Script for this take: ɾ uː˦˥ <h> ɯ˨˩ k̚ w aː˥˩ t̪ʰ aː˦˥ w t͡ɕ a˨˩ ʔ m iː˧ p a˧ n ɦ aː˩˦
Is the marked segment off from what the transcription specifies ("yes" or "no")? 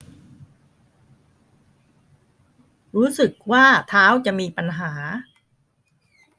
yes